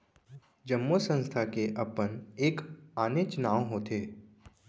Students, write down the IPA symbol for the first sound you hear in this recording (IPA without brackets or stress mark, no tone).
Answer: d͡ʒ